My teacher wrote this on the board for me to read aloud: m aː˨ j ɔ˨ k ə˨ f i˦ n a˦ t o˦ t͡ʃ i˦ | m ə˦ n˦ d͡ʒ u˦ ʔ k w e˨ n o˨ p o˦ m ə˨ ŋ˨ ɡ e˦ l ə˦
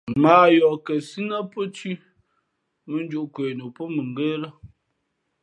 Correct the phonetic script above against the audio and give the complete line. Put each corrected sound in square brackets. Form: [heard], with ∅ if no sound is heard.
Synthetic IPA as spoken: m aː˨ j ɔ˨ k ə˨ [s] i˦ n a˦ [p] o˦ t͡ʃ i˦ | m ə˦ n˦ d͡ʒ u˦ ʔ k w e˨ n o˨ p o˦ m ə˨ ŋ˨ ɡ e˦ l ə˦